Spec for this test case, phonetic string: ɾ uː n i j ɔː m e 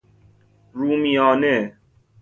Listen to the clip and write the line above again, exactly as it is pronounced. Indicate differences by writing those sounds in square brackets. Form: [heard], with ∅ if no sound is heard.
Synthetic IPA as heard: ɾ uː [m] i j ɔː [n] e